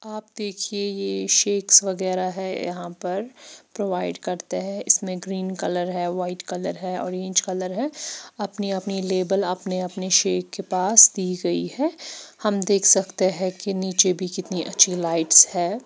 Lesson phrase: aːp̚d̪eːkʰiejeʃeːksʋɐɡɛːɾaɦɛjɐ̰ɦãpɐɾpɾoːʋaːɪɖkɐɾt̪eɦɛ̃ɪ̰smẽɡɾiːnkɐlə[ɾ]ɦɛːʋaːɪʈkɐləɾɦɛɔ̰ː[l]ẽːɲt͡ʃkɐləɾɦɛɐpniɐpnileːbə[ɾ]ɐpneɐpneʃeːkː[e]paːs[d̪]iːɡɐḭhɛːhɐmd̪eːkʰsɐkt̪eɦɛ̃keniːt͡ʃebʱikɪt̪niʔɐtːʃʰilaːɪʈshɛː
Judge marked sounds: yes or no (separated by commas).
yes, no, no, yes, yes